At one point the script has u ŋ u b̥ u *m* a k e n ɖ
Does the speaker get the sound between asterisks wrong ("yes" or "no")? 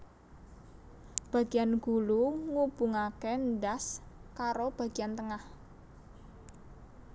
yes